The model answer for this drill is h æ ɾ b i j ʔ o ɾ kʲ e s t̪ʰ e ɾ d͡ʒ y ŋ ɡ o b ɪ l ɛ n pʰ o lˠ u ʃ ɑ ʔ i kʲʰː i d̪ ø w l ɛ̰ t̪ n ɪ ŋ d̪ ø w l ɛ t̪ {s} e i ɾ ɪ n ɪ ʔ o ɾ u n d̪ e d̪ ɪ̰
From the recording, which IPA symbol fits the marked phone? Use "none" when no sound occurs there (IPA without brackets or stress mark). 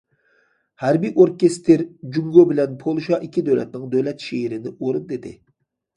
ʃ